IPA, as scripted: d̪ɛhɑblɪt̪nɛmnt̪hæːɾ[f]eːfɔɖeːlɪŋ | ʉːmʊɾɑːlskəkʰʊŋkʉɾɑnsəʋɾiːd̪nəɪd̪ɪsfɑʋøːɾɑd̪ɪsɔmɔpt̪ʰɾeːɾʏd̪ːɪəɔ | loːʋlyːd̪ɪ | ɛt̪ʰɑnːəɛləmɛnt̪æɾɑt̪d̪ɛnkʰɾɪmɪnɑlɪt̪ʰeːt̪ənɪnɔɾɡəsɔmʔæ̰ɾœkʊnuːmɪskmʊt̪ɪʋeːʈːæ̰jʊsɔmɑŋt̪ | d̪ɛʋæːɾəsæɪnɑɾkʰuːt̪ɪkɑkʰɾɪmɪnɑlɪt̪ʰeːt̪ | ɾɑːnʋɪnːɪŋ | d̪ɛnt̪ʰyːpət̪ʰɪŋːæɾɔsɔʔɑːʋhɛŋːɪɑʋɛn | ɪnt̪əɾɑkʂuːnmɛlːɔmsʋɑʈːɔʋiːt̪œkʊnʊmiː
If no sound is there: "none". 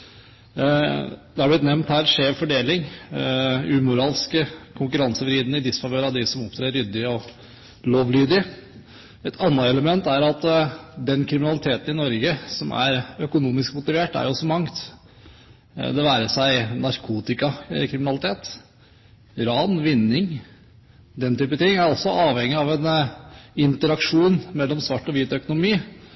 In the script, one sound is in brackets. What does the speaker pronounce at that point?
ʂ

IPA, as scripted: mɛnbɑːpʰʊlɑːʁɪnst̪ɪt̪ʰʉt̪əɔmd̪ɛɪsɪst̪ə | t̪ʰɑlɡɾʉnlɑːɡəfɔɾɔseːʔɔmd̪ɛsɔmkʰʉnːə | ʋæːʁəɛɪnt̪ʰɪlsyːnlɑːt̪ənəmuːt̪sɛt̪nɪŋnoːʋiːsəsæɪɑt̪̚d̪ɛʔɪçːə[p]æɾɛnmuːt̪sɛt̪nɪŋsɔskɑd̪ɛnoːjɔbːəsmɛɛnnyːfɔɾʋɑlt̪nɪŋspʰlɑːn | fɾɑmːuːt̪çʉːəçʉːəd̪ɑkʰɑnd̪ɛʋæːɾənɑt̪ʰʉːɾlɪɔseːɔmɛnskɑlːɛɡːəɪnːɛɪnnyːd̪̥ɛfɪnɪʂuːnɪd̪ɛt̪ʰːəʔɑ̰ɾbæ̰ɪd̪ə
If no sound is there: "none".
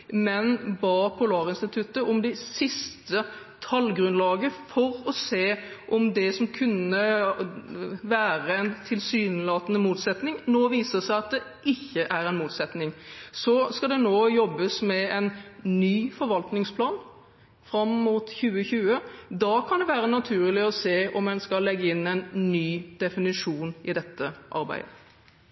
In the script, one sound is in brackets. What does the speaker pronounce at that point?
ʔ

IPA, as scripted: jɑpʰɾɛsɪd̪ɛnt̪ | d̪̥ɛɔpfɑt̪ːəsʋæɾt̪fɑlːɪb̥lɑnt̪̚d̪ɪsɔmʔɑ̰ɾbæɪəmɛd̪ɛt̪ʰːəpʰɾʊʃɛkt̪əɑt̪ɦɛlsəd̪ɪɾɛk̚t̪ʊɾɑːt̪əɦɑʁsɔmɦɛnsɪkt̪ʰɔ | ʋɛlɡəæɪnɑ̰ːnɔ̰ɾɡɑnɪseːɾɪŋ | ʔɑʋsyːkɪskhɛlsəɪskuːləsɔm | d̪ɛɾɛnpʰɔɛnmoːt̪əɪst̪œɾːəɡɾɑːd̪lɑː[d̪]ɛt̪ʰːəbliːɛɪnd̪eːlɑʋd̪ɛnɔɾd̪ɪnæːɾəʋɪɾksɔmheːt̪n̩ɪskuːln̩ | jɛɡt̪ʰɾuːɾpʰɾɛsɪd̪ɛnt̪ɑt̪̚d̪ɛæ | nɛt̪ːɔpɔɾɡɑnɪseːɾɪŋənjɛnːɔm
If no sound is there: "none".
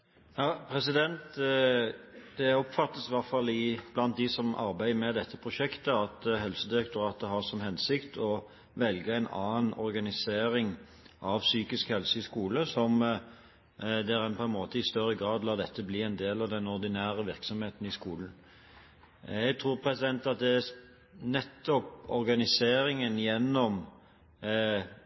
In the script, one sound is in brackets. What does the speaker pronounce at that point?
d̪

